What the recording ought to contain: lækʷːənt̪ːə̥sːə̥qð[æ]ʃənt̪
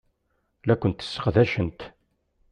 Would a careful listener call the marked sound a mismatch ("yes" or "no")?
no